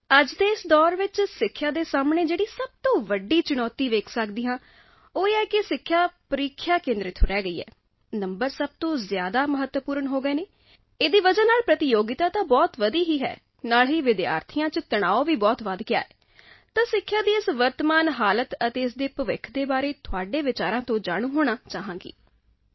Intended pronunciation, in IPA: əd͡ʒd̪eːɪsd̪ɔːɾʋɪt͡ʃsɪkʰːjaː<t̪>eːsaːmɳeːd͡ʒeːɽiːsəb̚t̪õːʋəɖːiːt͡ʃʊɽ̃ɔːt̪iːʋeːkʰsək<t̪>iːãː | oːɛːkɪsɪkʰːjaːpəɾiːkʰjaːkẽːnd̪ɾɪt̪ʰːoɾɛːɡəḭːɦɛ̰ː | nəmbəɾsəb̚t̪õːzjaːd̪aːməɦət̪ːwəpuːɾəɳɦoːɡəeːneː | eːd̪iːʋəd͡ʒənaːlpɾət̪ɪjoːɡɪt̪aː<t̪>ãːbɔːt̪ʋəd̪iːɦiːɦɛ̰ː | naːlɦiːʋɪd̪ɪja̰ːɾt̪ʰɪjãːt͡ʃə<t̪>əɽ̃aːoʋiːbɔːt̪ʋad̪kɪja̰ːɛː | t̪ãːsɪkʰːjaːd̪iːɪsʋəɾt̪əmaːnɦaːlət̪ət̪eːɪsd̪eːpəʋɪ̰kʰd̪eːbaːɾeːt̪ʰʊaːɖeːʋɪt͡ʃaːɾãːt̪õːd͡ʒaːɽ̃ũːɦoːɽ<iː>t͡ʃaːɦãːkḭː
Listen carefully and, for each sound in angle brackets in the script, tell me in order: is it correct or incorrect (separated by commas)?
incorrect, incorrect, correct, correct, incorrect